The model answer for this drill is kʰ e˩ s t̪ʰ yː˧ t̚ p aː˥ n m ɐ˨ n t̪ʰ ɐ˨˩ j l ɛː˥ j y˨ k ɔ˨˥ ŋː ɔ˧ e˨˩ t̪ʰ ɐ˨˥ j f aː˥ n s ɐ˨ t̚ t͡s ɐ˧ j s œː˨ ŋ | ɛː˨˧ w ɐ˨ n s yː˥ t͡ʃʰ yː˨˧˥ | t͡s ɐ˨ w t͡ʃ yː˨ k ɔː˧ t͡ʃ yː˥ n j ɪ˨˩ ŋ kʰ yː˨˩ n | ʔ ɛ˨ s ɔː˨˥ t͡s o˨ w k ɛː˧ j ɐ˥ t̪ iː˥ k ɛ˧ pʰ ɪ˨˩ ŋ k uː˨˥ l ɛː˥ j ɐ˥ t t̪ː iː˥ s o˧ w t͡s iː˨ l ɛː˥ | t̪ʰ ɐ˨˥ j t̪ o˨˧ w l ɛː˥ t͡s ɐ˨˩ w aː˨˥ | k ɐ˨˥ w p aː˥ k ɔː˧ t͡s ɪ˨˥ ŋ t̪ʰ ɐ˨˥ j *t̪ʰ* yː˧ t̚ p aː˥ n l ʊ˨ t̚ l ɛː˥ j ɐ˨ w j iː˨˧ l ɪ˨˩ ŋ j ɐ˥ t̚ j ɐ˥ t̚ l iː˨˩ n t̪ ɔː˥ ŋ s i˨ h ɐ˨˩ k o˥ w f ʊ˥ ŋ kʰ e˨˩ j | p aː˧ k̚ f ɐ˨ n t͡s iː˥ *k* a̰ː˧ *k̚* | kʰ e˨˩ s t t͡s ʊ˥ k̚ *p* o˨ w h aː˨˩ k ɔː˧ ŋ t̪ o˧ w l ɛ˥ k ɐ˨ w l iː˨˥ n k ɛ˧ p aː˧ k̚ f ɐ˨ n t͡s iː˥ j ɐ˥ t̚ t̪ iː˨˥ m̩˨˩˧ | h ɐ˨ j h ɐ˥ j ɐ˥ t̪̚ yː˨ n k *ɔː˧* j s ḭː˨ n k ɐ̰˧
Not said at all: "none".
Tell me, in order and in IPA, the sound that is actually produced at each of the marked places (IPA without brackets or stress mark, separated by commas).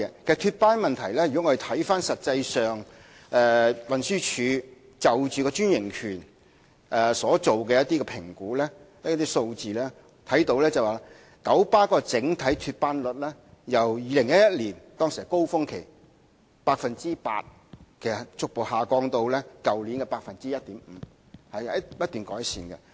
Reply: t̪ʰ, p, t̚, p, ɔː˨˥